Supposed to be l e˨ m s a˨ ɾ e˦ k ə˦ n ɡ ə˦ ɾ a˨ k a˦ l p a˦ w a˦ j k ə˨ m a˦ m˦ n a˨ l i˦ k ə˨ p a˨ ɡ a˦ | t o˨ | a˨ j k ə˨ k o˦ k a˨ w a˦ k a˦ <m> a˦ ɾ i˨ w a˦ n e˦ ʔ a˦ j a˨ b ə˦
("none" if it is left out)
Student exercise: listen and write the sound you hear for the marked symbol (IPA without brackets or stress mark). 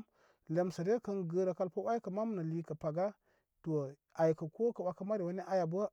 m